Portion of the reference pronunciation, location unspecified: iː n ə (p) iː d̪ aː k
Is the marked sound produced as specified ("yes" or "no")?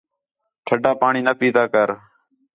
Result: yes